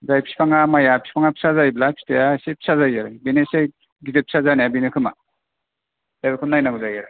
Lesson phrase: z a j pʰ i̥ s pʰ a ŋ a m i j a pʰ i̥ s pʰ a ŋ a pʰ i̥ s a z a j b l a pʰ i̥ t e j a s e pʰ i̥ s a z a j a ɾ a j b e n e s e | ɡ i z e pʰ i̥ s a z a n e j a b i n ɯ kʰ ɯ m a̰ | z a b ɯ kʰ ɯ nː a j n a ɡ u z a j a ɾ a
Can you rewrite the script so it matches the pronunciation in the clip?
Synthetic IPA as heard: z a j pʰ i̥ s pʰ a ŋ a m a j a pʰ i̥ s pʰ a ŋ a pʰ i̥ s a z a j b l a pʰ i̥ t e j a s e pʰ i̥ s a z a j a ɾ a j b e n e s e | ɡ i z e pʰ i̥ s a z a n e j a b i n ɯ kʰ ɯ m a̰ | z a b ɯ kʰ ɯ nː a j n a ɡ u z a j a ɾ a